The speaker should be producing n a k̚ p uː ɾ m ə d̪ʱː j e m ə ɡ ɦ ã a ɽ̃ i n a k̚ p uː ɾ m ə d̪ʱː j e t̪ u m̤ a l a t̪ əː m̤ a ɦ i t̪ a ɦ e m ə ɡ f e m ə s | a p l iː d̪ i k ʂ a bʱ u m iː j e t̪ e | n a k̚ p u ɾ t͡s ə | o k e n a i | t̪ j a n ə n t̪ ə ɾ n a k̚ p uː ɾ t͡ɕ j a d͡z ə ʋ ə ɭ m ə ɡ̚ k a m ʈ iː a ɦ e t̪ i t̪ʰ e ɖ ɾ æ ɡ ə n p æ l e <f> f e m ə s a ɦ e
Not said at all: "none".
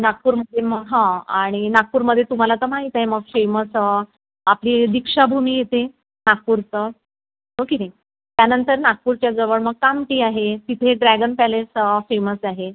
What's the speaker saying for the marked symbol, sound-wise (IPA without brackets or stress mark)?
s